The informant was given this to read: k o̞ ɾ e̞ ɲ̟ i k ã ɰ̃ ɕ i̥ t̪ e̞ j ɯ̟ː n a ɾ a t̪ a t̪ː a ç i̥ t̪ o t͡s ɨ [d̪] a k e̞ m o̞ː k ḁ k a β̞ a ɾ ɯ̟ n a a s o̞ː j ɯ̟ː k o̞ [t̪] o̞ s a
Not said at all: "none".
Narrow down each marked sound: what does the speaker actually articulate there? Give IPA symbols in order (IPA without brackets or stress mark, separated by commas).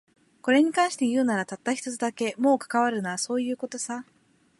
d̪, t̪